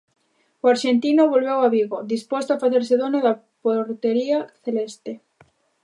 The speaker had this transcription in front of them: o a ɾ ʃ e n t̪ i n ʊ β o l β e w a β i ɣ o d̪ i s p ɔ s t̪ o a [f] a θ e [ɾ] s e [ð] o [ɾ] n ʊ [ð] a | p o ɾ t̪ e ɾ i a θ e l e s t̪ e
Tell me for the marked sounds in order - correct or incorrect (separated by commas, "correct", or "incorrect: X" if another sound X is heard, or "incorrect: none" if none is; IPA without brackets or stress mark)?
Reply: correct, correct, correct, incorrect: none, correct